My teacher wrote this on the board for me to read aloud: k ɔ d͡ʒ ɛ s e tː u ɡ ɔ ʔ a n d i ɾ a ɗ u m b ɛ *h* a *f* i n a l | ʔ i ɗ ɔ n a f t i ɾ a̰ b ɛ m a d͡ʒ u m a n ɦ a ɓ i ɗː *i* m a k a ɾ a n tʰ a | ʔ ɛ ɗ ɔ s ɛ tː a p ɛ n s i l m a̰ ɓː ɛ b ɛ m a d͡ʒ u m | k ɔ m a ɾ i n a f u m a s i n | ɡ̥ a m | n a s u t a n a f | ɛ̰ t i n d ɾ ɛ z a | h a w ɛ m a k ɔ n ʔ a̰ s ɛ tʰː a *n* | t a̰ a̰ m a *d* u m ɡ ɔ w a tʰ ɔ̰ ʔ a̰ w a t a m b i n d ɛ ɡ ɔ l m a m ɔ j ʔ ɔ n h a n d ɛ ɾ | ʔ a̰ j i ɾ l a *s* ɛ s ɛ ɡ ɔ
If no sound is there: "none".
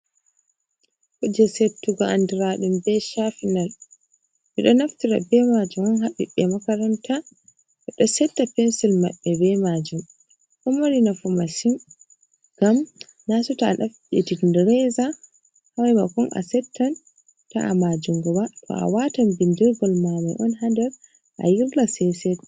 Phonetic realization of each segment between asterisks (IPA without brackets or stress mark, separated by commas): ʃ, f, ɛ, n, d͡ʒ, s